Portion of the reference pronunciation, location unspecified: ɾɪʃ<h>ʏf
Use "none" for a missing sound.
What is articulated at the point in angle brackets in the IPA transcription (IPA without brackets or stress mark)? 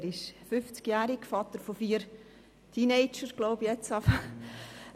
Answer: f